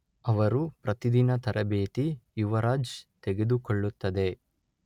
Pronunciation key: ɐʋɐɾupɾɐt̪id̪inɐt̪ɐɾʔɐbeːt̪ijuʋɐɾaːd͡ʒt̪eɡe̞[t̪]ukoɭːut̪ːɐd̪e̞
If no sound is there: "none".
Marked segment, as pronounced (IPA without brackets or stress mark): d̪